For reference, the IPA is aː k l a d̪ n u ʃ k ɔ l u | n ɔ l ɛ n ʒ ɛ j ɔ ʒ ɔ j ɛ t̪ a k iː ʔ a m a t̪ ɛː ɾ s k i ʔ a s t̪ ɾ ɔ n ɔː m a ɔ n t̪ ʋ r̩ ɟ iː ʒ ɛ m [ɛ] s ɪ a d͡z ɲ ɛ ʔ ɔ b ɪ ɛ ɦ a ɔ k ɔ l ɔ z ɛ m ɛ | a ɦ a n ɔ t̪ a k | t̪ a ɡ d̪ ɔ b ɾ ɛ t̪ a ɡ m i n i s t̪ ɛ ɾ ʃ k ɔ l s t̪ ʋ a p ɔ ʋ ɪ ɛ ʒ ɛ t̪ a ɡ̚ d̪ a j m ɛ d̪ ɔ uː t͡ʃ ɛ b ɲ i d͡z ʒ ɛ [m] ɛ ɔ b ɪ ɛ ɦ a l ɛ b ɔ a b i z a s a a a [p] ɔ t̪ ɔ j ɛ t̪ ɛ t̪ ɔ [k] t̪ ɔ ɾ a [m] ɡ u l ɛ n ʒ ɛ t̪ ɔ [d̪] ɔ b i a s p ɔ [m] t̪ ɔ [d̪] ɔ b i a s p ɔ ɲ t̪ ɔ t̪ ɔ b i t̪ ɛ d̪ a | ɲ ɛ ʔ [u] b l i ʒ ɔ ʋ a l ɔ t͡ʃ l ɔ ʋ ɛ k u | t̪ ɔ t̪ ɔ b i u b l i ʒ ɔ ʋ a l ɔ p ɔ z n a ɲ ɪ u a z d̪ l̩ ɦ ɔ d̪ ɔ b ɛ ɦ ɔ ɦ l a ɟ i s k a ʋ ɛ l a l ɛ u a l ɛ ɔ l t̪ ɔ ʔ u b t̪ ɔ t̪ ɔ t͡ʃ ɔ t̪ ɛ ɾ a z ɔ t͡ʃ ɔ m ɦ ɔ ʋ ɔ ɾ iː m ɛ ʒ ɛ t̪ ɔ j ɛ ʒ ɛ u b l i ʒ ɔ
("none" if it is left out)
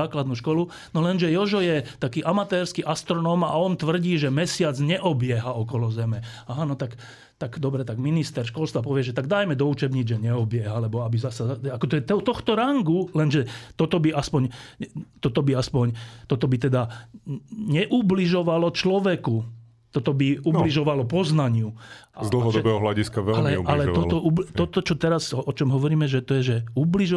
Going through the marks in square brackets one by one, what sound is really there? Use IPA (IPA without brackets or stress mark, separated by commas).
ɛ, ɲ, k, x, ŋ, t̪, ɲ, t̪, u